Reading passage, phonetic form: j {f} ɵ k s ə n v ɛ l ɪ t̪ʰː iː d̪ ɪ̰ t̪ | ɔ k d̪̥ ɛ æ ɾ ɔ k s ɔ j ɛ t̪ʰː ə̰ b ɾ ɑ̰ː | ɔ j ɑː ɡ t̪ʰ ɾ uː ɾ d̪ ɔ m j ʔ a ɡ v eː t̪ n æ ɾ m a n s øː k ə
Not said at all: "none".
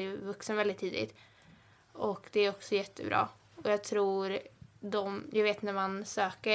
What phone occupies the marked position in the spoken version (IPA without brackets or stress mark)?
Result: v